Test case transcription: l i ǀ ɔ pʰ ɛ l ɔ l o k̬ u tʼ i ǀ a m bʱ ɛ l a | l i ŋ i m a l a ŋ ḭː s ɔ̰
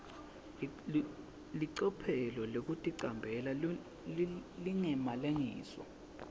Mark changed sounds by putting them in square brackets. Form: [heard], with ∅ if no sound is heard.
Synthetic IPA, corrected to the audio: l i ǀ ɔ pʰ ɛ l ɔ l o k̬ u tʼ i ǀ a m bʱ ɛ l a | l i ŋ [ɛ] m a l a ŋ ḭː s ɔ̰

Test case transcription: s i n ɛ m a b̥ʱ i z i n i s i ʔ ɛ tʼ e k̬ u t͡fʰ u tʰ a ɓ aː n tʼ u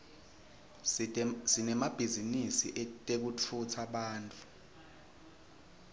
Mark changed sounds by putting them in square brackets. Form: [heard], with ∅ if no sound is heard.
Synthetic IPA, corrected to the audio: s i n ɛ m a b̥ʱ i z i n i s i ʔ ɛ tʼ e k̬ u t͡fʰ u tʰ a ɓ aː n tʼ u

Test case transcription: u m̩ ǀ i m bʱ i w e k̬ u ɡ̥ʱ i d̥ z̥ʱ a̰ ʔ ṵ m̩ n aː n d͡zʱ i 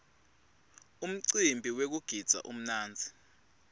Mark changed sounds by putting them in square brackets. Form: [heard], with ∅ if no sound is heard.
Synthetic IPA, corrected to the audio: u m̩ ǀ i m bʱ i w e k̬ u ɡ̥ʱ i d̥ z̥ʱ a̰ ʔ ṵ m̩ n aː n d͡zʱ i

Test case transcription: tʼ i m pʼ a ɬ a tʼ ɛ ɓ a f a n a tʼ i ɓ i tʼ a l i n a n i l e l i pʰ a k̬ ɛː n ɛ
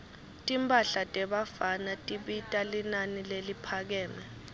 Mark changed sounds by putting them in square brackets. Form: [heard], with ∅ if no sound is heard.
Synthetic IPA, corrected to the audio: tʼ i m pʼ a ɬ a tʼ ɛ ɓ a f a n a tʼ i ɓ i tʼ a l i n a n i l e l i pʰ a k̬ ɛː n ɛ

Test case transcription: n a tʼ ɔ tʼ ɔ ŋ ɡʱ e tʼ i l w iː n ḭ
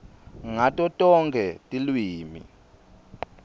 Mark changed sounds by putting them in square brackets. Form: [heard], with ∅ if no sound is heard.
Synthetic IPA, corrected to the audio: [ŋ] a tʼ ɔ tʼ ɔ ŋ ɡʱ [ɛ] tʼ i l w iː [m] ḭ

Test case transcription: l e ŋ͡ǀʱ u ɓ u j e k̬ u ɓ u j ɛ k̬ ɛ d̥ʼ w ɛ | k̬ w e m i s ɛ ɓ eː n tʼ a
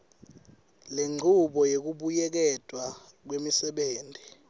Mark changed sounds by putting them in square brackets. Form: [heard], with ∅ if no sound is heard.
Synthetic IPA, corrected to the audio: l e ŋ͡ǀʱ u ɓ [ɔ] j e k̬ u ɓ u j ɛ k̬ ɛ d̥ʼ w [a] | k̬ w e m i s ɛ ɓ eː n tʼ [i]

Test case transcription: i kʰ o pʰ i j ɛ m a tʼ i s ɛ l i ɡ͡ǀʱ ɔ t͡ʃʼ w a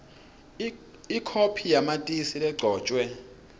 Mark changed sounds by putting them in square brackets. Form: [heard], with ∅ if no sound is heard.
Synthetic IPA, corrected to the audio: i kʰ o pʰ i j [a] m a tʼ i s [i] l [ɛ] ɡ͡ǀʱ [ɔː] t͡ʃʼ w [ɛ]

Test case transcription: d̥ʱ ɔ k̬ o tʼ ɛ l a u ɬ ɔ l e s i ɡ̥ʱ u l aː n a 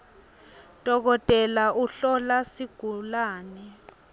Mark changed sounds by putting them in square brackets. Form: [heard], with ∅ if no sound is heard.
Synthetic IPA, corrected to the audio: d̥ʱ ɔ k̬ [ɔ] tʼ ɛ l a u ɬ ɔ l [a] s i ɡ̥ʱ u l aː n [ɛ]

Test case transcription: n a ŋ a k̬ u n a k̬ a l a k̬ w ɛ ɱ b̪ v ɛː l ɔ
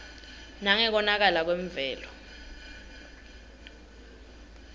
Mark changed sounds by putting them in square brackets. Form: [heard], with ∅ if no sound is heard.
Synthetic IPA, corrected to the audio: n a ŋ [ɛ] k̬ [ɔ] n a k̬ a l a k̬ w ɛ ɱ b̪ v ɛː l ɔ

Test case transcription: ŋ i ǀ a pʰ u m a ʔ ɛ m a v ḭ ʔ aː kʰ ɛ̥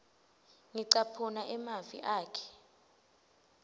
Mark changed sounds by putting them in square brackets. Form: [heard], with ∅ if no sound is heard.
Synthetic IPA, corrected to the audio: ŋ i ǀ a pʰ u [n] a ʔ ɛ m a v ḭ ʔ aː kʰ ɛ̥

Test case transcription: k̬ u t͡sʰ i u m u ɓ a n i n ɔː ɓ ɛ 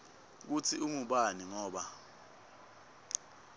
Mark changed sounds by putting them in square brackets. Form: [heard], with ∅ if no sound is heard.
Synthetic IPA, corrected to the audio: k̬ u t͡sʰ i u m u ɓ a n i [ŋ] ɔː ɓ [a]

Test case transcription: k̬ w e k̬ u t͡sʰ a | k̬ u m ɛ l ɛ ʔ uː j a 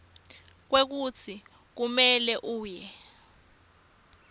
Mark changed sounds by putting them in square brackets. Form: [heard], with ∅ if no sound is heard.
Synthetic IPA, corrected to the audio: k̬ w e k̬ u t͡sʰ [i] | k̬ u m ɛ l ɛ ʔ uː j [ɛ]

